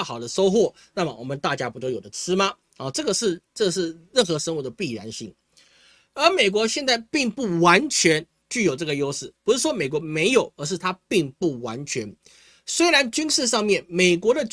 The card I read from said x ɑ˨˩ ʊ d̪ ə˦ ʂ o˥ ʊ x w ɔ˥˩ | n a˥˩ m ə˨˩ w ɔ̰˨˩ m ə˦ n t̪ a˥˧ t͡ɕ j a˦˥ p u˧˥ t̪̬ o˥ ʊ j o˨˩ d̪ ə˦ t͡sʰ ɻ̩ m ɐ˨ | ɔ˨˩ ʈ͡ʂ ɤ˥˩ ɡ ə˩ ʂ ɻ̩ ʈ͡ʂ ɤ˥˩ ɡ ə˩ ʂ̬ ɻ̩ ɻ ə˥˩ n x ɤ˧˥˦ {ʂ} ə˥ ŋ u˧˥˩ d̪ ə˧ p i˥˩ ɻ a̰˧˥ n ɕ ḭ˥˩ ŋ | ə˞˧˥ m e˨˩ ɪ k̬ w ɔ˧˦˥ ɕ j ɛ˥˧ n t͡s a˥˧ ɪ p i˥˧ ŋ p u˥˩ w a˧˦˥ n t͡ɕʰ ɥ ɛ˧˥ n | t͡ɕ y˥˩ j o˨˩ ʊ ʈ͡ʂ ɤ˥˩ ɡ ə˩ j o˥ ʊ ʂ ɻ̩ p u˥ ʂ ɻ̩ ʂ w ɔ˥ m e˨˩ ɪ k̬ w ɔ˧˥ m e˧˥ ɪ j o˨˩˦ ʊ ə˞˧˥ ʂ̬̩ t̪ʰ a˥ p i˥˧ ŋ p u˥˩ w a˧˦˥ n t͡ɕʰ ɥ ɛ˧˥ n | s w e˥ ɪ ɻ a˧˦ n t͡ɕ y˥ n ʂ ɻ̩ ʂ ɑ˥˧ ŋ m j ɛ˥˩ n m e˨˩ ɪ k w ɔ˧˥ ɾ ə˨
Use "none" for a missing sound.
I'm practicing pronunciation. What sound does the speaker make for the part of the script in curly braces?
ʂ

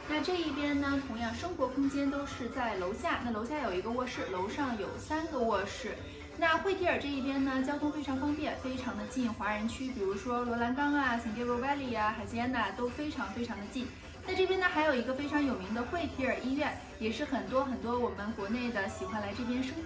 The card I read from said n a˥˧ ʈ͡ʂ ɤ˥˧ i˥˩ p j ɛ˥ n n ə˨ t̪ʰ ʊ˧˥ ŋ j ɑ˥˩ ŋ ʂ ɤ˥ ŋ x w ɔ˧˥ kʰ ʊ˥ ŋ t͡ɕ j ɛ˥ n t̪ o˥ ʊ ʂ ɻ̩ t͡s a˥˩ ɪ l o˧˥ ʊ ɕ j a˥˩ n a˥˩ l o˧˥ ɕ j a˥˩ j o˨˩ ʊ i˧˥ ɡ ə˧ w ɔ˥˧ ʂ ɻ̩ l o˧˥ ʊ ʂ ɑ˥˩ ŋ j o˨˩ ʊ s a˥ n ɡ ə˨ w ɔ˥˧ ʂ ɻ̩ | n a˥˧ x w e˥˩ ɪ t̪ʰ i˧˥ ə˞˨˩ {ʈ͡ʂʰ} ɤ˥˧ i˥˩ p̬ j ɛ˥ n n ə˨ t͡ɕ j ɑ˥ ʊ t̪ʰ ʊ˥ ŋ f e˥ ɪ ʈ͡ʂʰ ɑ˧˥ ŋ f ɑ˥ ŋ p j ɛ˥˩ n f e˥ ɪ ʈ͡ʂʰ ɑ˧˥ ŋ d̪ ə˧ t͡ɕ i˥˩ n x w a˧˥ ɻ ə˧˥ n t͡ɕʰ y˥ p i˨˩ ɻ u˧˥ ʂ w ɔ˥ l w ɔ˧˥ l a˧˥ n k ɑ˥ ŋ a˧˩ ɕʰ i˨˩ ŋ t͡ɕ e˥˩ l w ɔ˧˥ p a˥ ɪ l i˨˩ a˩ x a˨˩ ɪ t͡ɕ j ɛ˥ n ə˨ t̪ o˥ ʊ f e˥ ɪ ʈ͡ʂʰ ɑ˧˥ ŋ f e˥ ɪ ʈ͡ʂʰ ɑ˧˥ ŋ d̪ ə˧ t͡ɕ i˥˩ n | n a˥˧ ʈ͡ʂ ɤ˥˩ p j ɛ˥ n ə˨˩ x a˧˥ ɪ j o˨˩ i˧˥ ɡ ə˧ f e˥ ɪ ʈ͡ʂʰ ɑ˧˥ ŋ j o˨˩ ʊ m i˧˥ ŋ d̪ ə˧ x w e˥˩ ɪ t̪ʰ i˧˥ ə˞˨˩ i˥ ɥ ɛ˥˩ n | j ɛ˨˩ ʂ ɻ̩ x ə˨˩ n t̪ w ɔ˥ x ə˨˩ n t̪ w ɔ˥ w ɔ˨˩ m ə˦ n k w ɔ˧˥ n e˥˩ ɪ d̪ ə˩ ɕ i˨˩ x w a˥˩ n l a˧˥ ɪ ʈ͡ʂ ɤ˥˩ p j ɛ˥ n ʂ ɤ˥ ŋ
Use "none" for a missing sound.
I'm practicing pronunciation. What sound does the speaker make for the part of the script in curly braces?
ʈ͡ʂ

